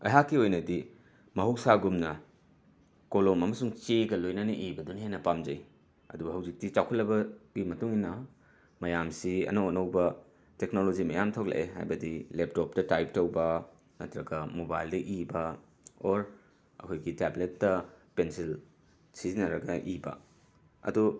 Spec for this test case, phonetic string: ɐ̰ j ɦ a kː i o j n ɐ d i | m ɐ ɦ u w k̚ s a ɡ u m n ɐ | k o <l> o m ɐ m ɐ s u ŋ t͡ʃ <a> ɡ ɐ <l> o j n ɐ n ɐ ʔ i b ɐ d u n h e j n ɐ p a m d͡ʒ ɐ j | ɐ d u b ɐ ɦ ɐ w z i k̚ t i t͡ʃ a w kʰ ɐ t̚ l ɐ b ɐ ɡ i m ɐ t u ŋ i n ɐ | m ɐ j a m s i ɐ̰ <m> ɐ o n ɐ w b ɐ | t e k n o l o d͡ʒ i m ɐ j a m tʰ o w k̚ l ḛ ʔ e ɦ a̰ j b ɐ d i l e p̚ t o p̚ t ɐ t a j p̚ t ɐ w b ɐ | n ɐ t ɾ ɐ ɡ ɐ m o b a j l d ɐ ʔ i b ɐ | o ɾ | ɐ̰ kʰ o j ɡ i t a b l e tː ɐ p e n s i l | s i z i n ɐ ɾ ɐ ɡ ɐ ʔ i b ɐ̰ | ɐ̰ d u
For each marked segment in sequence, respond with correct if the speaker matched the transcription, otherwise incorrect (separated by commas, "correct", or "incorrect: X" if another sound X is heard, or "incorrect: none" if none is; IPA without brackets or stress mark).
correct, incorrect: e, correct, incorrect: n